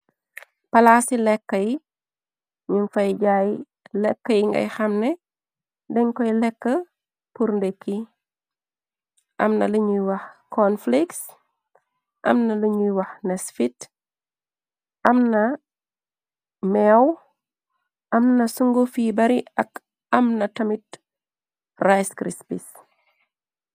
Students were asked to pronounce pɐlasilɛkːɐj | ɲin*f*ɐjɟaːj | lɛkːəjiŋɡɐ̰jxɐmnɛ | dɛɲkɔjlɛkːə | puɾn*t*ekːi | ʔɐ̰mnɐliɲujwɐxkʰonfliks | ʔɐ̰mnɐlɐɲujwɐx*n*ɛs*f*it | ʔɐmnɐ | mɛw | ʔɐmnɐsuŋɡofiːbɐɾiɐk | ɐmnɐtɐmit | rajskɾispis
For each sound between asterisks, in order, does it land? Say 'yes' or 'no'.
yes, no, yes, yes

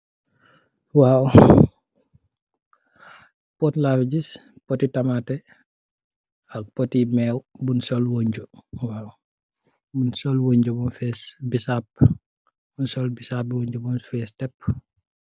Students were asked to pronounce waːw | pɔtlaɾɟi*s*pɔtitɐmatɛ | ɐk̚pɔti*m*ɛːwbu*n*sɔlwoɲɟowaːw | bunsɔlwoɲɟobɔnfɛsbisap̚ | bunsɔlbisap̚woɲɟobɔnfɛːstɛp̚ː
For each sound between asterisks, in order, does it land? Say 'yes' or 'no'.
yes, yes, yes

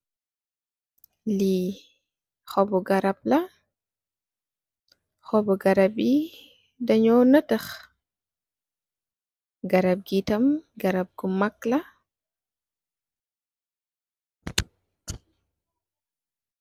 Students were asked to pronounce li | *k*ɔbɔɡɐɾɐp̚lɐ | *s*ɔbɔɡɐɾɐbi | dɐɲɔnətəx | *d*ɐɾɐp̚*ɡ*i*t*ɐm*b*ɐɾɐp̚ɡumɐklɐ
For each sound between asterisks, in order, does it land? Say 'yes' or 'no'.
no, no, no, yes, yes, no

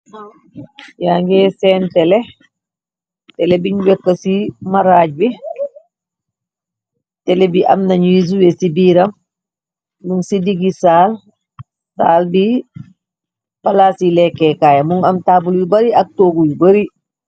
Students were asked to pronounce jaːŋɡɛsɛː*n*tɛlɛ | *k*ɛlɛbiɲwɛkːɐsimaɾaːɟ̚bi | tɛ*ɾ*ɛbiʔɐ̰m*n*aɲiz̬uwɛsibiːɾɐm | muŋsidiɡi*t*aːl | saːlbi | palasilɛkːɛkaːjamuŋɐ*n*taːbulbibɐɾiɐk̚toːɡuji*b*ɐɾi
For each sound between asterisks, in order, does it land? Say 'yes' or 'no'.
yes, no, no, yes, no, no, yes

